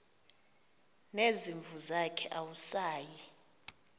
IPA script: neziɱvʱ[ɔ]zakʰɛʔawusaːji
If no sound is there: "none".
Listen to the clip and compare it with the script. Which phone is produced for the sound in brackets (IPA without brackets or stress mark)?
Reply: u